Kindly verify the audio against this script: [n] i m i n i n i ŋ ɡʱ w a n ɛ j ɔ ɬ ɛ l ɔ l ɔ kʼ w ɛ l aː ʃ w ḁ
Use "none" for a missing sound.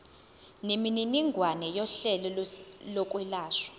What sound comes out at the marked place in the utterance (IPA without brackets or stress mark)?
n